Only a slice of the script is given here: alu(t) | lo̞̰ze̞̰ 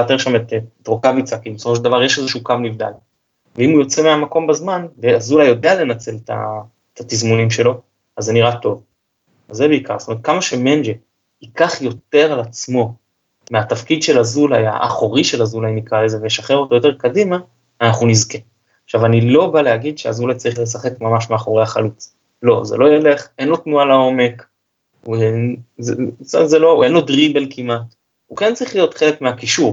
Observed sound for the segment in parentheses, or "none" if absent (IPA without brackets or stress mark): t͡s